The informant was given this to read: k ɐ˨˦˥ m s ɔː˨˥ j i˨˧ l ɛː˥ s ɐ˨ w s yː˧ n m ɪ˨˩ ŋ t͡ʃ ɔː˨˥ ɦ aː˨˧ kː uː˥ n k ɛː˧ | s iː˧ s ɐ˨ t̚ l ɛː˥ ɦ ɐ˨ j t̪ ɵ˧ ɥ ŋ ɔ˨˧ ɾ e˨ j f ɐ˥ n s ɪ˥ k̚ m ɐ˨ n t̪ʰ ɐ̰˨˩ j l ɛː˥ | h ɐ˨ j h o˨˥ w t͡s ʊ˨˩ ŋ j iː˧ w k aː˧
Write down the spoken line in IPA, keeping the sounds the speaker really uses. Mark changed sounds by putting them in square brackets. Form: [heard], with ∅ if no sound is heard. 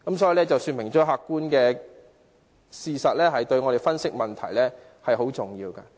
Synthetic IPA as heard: k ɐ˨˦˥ m s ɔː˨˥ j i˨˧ l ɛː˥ [t͡s] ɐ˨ w s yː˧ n m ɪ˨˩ ŋ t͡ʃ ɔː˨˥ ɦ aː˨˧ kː uː˥ n k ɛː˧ | s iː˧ s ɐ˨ t̚ l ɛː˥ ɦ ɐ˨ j t̪ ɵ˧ ɥ ŋ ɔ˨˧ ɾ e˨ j f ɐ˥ n s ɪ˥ k̚ m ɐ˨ n t̪ʰ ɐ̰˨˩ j l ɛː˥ | h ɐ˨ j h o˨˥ w t͡s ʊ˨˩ ŋ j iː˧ w k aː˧